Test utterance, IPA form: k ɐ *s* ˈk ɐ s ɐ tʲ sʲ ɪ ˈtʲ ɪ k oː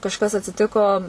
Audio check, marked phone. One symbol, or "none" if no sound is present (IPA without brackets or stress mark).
ʃ